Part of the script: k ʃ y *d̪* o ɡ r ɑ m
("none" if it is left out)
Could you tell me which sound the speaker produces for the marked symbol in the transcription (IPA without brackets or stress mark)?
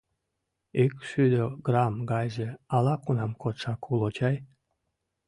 d̪